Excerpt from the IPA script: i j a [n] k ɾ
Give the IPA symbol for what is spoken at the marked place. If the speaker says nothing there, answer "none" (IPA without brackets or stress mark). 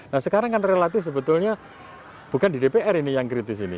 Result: ŋ